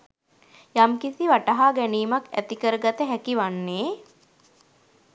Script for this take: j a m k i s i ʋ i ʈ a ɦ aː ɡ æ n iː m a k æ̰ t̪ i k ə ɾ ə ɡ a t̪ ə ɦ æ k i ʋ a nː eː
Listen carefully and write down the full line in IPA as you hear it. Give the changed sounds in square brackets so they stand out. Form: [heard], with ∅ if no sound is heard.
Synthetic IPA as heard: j a m k i s i ʋ [a] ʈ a ɦ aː ɡ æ n iː m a k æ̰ t̪ i k ə ɾ ə ɡ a t̪ ə ɦ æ k i ʋ a nː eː